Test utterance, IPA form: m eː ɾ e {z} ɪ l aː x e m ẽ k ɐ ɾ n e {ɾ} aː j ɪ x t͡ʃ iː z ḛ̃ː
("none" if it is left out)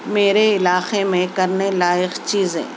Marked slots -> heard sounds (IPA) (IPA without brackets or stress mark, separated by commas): none, l